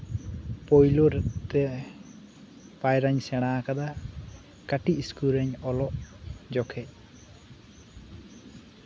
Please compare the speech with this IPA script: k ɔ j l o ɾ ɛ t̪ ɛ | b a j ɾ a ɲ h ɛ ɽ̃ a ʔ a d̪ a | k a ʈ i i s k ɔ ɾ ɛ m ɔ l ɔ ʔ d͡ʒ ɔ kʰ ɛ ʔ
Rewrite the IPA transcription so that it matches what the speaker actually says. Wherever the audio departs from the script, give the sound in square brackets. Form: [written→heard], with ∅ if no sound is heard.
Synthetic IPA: [k→p] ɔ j l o ɾ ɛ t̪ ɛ | [b→p] a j ɾ a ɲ [h→s] ɛ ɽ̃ a [ʔ→k] a d̪ a | k a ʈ i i s k [ɔ→u] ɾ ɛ [m→ɲ] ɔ l ɔ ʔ d͡ʒ ɔ kʰ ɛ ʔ

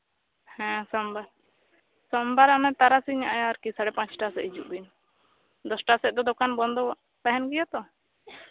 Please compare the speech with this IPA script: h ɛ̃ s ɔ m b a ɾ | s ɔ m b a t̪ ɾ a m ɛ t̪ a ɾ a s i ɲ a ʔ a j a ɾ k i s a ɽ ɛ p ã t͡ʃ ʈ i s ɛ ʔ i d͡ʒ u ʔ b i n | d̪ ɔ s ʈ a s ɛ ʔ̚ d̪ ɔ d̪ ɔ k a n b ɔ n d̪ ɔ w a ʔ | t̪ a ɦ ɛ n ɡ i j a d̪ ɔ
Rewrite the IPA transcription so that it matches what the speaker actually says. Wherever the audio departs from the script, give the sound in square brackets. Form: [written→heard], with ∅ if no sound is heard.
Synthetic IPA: h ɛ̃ s ɔ m b a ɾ | s ɔ m b a [t̪→∅] ɾ a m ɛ t̪ a ɾ a s i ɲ a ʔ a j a ɾ k i s a ɽ ɛ p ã t͡ʃ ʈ [i→a] s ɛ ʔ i d͡ʒ u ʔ b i n | d̪ ɔ s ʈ a s ɛ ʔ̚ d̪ ɔ d̪ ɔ k a n b ɔ n d̪ ɔ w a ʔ | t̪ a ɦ ɛ n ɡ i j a [d̪→t̪] ɔ

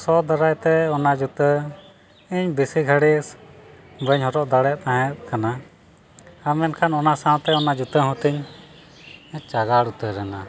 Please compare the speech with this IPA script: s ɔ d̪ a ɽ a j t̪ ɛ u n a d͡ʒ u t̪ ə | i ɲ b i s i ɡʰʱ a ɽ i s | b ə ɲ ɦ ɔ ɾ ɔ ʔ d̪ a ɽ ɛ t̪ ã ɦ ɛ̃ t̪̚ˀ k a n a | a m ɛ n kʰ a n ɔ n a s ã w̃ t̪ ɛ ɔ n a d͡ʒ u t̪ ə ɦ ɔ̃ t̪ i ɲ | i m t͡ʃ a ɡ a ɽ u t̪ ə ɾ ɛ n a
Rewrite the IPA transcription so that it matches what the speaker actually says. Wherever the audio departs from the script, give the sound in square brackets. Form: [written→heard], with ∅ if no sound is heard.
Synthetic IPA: s ɔ d̪ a [ɽ→ɾ] a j t̪ ɛ [u→ɔ] n a d͡ʒ u t̪ ə | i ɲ b i s i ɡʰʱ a ɽ i s | b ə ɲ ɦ ɔ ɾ ɔ ʔ d̪ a ɽ ɛ t̪ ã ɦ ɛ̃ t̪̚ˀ k a n a | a m ɛ n kʰ a n ɔ n a s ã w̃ t̪ ɛ ɔ n a d͡ʒ u t̪ ə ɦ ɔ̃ t̪ i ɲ | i [m→ɲ] t͡ʃ a ɡ a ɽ u t̪ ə ɾ ɛ n a

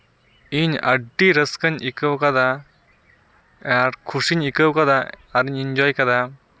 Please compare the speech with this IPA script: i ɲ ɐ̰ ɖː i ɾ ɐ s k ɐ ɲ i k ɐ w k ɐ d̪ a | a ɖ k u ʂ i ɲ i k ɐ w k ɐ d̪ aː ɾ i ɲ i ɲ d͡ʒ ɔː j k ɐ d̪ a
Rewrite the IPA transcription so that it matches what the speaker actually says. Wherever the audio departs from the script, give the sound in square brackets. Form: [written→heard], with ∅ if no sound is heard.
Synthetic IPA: i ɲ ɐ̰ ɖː i ɾ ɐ s k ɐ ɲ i k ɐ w k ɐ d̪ a | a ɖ [k→kʰ] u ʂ i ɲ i k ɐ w k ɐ d̪ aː ɾ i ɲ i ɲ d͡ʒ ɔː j k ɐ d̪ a

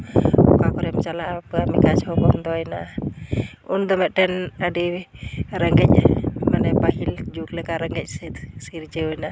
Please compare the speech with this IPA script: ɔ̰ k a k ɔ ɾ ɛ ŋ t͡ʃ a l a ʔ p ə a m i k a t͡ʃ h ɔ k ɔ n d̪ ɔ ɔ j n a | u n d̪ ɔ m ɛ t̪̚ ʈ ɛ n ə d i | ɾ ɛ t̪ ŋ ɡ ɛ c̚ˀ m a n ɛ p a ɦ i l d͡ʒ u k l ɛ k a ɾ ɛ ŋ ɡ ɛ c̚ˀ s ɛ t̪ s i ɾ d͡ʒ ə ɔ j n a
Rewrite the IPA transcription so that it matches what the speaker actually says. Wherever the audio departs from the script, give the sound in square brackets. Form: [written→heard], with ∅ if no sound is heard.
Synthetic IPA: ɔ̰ k a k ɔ ɾ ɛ [ŋ→m] t͡ʃ a l a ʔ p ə a m i k a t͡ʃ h ɔ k ɔ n d̪ ɔ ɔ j n a | u n d̪ ɔ m ɛ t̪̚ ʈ ɛ n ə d i | ɾ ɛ [t̪→∅] ŋ ɡ ɛ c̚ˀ m a n ɛ p a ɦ i l d͡ʒ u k l ɛ k a ɾ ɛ ŋ ɡ ɛ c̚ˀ s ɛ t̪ s i ɾ d͡ʒ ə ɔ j n a

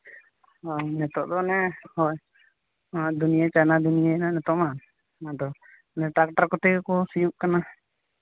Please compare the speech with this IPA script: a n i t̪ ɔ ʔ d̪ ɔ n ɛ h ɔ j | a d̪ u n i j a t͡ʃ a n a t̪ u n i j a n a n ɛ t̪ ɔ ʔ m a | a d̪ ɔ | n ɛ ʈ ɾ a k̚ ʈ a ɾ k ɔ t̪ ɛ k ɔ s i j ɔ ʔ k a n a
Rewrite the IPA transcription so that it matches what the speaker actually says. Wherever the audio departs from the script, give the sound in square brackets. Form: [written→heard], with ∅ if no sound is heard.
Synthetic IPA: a n [i→ɛ] t̪ ɔ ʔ d̪ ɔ n ɛ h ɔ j | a d̪ u n i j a t͡ʃ a n a [t̪→d̪] u n i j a n a n ɛ t̪ ɔ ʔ m a | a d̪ ɔ | n ɛ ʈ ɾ a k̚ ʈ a ɾ k ɔ t̪ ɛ k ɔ s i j [ɔ→u] ʔ k a n a

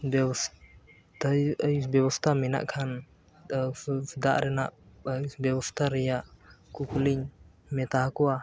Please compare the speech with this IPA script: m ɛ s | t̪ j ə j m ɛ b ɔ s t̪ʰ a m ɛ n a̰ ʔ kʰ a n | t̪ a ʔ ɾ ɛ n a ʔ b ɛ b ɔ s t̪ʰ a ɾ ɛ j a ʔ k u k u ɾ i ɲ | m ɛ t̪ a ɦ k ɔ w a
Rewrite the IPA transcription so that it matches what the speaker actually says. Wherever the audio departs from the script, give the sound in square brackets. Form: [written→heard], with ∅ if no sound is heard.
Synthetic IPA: [m→b] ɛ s | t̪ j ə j [m→b] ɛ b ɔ s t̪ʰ a m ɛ n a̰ ʔ kʰ a n | [t̪→d̪] a ʔ ɾ ɛ n a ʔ b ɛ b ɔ s t̪ʰ a ɾ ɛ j a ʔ k u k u [ɾ→l] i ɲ | m ɛ t̪ a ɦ k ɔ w a

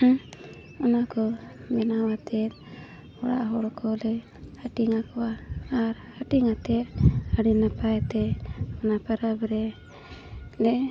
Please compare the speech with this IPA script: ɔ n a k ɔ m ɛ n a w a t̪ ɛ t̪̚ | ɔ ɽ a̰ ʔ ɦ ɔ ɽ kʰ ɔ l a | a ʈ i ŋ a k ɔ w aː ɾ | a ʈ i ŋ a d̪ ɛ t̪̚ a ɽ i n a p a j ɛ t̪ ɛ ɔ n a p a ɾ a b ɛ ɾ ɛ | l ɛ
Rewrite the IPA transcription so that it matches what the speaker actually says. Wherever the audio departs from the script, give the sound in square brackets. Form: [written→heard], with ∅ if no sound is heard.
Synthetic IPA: ɔ n a k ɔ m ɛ n a w a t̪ ɛ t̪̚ | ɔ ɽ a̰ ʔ ɦ ɔ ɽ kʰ ɔ l [a→ɛ] | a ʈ i ŋ a k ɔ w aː ɾ | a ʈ i ŋ a [d̪→t̪] ɛ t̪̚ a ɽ i n a p a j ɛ t̪ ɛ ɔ n a p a ɾ a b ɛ ɾ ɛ | l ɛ

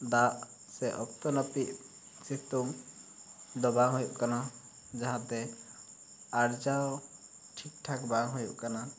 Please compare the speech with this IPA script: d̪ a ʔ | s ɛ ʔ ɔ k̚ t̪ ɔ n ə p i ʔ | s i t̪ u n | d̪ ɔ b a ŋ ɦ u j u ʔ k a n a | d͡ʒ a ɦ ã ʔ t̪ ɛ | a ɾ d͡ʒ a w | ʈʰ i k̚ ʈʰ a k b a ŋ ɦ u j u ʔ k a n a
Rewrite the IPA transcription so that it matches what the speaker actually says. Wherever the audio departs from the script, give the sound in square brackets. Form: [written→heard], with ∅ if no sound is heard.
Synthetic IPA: d̪ a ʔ | s ɛ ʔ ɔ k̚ t̪ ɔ n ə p i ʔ | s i t̪ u [n→ŋ] | d̪ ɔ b a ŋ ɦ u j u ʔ k a n a | d͡ʒ a ɦ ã [ʔ→∅] t̪ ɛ | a ɾ d͡ʒ a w | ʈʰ i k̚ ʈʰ a k b a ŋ ɦ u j u ʔ k a n a

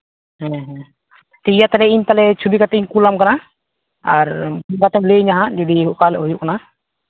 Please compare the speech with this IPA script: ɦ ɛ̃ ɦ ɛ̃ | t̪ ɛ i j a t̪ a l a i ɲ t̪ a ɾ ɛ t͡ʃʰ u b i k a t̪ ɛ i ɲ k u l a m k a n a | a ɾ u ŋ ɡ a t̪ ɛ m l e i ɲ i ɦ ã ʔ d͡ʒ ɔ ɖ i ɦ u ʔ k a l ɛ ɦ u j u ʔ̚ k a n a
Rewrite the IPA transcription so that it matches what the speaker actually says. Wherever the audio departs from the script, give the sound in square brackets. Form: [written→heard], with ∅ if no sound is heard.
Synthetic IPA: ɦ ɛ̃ ɦ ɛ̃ | t̪ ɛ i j a t̪ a l [a→ɛ] i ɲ t̪ a [ɾ→l] ɛ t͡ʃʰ u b i k a t̪ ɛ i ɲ k u l a m k a n a | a ɾ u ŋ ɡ a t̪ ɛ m l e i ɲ [i→a] ɦ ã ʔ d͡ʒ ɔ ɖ i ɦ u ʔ k a l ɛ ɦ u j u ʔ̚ k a n a

